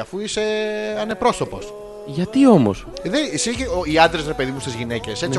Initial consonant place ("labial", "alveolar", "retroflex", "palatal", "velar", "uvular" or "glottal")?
labial